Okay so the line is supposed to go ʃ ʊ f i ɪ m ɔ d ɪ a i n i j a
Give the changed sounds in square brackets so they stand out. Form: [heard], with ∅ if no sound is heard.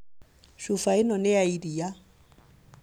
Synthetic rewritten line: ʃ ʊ f [a] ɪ [n] ɔ [n] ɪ a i [d] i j a

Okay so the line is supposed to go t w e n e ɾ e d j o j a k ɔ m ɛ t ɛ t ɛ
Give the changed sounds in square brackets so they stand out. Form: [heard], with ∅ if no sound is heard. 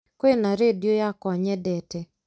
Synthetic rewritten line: [k] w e n [a] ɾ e d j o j a k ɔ [ɲ] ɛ [d] ɛ t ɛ

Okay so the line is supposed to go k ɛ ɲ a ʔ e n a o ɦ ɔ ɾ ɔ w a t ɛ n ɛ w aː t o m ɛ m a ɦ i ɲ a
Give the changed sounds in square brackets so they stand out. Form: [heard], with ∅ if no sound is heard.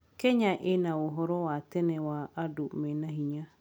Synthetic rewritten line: k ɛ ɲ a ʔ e n a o ɦ ɔ ɾ ɔ w a t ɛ n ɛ w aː [d] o m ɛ [n] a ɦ i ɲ a

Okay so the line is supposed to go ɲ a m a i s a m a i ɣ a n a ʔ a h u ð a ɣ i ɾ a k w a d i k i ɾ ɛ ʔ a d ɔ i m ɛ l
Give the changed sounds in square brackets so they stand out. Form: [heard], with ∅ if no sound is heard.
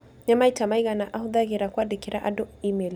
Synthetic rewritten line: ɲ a m a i [t] a m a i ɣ a n a ʔ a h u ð a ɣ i ɾ a k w a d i k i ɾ [a] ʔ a d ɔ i m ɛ l

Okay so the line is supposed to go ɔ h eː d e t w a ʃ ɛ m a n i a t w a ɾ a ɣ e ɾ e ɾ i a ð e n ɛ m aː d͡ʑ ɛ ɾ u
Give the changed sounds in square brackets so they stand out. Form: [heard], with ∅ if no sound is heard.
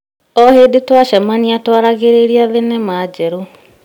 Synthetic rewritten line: ɔ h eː d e t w a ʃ ɛ m a n i a t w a ɾ a ɣ e ɾ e ɾ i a ð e n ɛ m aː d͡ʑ ɛ ɾ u

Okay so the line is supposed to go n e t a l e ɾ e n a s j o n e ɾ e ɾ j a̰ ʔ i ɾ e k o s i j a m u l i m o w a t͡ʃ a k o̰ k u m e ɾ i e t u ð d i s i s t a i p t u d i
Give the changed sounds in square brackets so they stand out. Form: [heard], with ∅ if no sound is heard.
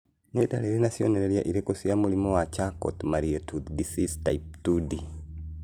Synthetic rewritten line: n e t a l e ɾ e n a s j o n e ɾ e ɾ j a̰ ʔ i ɾ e k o s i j a m u l i m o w a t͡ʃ a k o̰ [t] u m [a] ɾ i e t u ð d i s i s t a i p t u d i

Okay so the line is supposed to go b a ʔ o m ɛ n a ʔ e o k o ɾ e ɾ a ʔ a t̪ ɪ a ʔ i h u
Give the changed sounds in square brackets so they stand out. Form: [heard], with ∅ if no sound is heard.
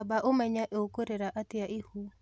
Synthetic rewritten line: b a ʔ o m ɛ [ɲ] a ʔ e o k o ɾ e ɾ a ʔ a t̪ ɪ a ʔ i h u

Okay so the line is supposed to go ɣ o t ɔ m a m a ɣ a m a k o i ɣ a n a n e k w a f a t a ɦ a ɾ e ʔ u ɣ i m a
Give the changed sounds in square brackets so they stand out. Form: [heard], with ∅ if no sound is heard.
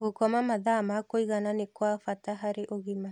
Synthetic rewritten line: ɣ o [k] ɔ m a m a [ð] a m a k o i ɣ a n a n e k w a f a t a ɦ a ɾ e ʔ [o] ɣ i m a

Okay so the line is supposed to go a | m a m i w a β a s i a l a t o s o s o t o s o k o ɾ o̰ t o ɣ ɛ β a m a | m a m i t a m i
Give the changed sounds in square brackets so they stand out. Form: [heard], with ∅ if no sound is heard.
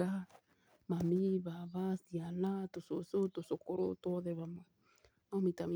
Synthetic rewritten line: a | m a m i [β] a β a s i a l a t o s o s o t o s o k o ɾ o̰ t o [ð] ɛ β a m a | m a m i t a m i

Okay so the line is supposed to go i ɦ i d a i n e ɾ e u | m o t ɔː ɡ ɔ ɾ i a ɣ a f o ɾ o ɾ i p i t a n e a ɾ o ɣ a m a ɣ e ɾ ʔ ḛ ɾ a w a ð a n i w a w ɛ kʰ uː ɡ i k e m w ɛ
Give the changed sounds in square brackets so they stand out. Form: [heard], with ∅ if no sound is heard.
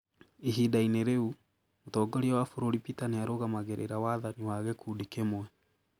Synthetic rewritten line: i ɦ i d a i n e ɾ e u | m o t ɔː ɡ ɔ ɾ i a [w] a f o ɾ o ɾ i p i t a n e a ɾ o ɣ a m a ɣ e ɾ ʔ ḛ ɾ a w a ð a n i w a [ɣ] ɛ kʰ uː [d] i k e m w ɛ

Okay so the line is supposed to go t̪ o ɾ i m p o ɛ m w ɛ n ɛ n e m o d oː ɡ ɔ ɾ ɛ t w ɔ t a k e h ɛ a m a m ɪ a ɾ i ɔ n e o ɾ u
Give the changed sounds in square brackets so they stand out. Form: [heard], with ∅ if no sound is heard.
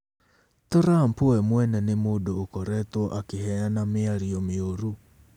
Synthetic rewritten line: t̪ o ɾ [a] m p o ɛ m w ɛ n ɛ n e m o d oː [k] ɔ ɾ ɛ t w ɔ [ʔ] a k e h ɛ a [n] a m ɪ a ɾ i ɔ [m] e o ɾ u

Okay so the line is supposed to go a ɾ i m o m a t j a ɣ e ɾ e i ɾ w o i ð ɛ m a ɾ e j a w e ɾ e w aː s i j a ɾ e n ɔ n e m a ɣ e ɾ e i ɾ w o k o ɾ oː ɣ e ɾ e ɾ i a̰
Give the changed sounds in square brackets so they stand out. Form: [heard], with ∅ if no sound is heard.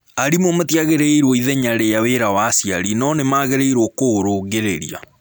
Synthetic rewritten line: a ɾ i m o m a t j a ɣ e ɾ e i ɾ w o i ð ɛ [ɲ] a ɾ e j a w e ɾ [a] w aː s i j a ɾ [i] n ɔ n e m a ɣ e ɾ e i ɾ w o k o ɾ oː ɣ e ɾ e ɾ i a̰

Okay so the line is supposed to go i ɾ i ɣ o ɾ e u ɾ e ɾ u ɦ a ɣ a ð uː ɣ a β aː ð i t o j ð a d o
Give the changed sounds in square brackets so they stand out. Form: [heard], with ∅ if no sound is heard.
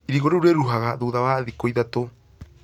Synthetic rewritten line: i ɾ i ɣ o ɾ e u ɾ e ɾ u ɦ a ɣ a ð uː [ð] a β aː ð i [k] o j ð a [t] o

